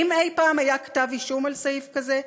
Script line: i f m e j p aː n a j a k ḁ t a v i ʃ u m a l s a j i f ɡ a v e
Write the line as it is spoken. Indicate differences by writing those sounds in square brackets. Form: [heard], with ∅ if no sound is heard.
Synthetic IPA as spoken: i [∅] m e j p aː [m] a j a k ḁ t a v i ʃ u m a l s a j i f [k] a [z] e